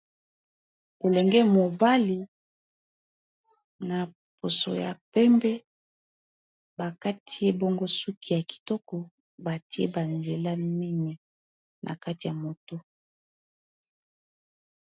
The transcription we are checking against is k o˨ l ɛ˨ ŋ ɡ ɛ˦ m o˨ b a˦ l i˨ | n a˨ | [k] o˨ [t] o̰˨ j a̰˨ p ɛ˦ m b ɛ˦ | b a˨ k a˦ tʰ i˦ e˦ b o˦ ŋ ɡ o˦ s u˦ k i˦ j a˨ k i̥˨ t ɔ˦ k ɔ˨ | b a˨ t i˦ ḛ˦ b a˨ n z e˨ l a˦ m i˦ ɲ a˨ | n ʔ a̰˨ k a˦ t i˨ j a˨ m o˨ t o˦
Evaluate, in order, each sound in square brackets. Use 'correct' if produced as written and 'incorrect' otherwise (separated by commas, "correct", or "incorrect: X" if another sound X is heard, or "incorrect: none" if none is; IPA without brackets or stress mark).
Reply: incorrect: p, incorrect: s